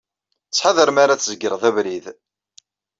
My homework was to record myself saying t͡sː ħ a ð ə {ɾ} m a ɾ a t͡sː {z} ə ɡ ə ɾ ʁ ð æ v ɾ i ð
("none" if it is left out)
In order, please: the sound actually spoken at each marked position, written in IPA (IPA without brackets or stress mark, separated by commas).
ɾ, z